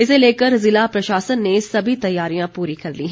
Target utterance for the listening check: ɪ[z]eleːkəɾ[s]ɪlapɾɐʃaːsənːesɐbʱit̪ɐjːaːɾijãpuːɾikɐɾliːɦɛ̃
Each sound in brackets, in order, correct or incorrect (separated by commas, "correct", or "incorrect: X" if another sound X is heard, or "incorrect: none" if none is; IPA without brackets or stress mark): incorrect: s, incorrect: z